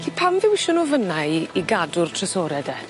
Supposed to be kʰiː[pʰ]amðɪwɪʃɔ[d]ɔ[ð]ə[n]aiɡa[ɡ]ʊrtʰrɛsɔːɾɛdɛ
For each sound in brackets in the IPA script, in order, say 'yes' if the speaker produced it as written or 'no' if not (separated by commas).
yes, no, no, yes, no